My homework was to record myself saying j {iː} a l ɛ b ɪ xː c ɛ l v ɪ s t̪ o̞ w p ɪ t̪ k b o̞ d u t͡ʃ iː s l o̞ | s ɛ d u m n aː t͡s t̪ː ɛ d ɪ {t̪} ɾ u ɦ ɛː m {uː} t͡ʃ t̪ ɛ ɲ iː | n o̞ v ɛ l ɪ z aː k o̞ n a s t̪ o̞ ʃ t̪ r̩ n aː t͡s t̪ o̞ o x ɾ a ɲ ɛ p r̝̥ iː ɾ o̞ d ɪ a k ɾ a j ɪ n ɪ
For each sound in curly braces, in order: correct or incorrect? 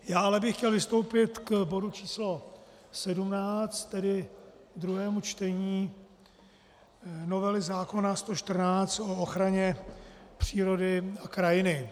incorrect: aː, incorrect: d̪, incorrect: u

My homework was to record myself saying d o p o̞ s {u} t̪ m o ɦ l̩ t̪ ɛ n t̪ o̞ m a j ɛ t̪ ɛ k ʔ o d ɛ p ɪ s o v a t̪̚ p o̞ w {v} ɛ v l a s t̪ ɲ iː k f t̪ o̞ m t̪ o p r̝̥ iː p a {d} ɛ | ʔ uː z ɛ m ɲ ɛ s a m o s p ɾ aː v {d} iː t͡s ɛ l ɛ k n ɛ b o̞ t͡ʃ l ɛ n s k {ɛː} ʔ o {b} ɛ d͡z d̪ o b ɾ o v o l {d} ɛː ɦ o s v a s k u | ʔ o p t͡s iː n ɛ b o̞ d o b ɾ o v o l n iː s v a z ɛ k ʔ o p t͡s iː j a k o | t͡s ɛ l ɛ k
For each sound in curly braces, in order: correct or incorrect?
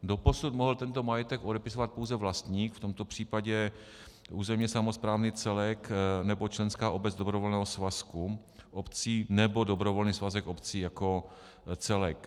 correct, incorrect: z, incorrect: ɟ, incorrect: n, incorrect: aː, correct, incorrect: n

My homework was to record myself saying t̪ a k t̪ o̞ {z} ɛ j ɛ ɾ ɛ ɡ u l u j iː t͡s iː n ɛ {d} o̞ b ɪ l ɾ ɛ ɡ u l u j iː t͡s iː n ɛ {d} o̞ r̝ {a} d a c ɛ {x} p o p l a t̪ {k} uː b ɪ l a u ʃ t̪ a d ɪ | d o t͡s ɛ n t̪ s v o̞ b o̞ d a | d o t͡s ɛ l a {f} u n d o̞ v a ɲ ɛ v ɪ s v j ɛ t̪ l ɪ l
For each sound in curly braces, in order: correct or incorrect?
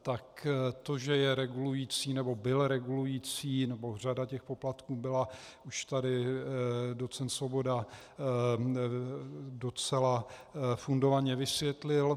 incorrect: ʒ, incorrect: b, incorrect: b, correct, correct, correct, correct

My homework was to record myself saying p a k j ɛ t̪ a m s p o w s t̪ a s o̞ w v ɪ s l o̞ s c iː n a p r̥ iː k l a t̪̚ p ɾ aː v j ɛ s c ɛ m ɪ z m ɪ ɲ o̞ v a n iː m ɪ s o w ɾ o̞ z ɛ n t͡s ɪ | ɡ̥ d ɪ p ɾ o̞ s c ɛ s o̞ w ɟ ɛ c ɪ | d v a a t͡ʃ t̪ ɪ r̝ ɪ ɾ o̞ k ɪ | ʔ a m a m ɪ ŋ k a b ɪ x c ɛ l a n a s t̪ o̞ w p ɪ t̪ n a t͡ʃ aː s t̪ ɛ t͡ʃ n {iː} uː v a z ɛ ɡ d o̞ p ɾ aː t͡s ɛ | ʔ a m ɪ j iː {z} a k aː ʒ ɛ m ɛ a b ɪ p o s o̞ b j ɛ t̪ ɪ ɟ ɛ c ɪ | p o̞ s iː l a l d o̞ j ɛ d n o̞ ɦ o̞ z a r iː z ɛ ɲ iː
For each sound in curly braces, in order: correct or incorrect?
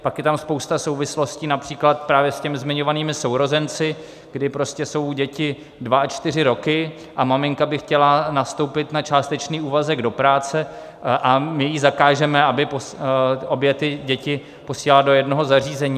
correct, correct

